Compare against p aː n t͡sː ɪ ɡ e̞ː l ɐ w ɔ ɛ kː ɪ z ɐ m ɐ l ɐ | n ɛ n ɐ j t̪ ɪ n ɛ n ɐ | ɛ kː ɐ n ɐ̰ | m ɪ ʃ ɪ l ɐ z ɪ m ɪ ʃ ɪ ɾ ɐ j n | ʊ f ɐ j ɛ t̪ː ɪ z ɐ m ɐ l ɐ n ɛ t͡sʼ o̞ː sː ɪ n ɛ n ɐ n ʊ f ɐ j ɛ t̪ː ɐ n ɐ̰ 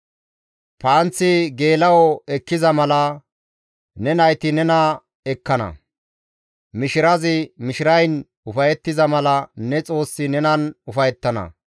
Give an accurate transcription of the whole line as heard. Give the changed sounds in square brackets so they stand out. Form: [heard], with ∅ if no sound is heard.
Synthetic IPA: p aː n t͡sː ɪ ɡ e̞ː l ɐ w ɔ ɛ kː ɪ z ɐ m ɐ l ɐ | n ɛ n ɐ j t̪ ɪ n ɛ n ɐ | ɛ kː ɐ n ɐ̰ | m ɪ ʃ ɪ [ɾ] ɐ z ɪ m ɪ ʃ ɪ ɾ ɐ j n | ʊ f ɐ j ɛ t̪ː ɪ z ɐ m ɐ l ɐ n ɛ t͡sʼ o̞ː sː ɪ n ɛ n ɐ n ʊ f ɐ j ɛ t̪ː ɐ n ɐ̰